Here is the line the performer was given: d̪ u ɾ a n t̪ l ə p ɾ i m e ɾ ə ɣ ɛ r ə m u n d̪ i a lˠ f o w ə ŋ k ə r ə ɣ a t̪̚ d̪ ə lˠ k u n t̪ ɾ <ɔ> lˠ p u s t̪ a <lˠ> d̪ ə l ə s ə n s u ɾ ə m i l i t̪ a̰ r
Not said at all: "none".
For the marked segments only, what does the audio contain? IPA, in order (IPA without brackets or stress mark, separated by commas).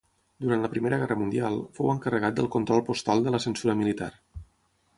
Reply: ɔ, lˠ